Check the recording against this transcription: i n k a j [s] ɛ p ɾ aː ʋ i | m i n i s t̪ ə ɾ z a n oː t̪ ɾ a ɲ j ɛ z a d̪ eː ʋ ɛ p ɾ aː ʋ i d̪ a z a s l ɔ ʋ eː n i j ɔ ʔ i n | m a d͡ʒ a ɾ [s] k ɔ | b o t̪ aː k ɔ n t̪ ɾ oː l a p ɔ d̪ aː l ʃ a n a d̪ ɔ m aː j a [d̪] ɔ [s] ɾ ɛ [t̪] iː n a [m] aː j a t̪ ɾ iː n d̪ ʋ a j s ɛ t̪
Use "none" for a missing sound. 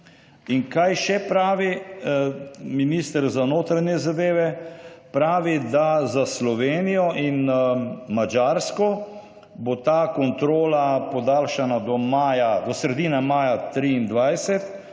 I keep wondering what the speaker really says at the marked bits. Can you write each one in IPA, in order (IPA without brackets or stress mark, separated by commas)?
ʃ, s, d̪, s, d̪, m